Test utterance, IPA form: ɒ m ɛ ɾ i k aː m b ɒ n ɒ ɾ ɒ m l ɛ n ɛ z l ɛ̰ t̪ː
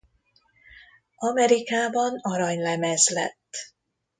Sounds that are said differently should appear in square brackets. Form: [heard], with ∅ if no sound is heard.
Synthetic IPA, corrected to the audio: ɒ m ɛ ɾ i k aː [∅] b ɒ n ɒ ɾ ɒ [ɲ] l ɛ [m] ɛ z l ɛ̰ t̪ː